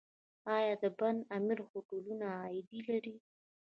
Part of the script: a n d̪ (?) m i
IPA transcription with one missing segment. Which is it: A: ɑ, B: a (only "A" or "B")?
B